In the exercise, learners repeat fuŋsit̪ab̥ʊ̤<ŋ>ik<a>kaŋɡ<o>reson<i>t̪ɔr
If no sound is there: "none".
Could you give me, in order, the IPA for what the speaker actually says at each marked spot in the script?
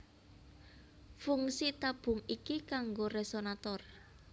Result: ŋ, i, o, a

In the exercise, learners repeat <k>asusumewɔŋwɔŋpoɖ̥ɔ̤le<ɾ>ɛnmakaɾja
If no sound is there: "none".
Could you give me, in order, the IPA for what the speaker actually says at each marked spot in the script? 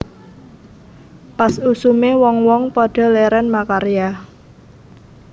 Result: p, ɾ

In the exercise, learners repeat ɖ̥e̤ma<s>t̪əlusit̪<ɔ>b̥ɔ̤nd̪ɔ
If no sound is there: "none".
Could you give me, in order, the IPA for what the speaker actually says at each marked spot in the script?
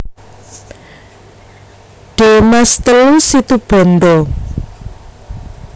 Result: s, u

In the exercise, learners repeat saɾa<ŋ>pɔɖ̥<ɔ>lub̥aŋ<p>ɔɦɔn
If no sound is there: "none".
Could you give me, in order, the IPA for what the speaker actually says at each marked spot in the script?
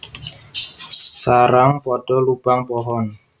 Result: ŋ, ɔ, p

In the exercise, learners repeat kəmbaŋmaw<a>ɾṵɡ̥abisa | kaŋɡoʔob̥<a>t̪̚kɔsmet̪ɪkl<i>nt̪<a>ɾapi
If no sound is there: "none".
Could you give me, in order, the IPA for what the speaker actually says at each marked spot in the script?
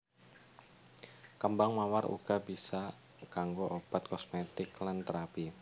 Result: a, a, a, ə

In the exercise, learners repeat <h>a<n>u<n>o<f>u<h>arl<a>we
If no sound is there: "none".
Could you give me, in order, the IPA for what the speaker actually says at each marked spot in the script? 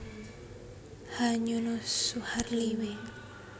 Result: h, ɲ, n, s, h, i

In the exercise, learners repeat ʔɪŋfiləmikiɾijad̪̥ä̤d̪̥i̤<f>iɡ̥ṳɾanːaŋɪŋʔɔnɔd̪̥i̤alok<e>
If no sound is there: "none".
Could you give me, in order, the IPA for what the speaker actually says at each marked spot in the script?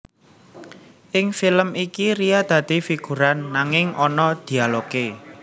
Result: f, e

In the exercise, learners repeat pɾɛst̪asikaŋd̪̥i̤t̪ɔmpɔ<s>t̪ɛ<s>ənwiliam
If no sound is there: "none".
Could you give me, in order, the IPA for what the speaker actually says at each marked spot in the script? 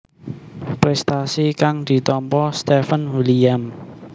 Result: s, f

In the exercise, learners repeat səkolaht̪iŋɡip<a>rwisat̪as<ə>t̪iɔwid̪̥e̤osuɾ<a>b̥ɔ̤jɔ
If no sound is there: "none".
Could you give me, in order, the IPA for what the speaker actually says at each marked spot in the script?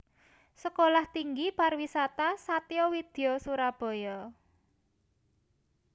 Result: a, a, a

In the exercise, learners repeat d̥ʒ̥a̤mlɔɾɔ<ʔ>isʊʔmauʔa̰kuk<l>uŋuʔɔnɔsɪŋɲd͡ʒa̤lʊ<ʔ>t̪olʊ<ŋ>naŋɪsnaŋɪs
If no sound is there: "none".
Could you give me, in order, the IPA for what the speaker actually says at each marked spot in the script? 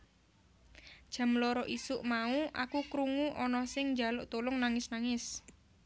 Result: ʔ, ɾ, ʔ, ŋ

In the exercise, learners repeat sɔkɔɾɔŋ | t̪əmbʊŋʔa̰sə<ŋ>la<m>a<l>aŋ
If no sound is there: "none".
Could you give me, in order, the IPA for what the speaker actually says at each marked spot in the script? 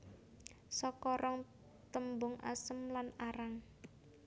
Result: m, n, ɾ

